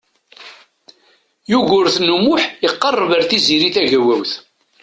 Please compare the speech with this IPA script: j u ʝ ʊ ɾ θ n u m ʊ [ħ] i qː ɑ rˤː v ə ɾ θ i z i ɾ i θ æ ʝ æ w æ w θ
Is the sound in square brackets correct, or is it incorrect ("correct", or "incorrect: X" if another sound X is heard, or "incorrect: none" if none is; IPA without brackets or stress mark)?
correct